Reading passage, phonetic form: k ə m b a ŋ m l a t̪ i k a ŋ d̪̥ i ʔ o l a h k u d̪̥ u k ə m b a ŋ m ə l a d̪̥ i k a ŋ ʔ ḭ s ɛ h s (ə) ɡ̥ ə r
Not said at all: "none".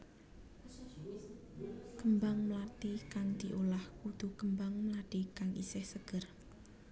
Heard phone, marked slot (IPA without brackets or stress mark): ə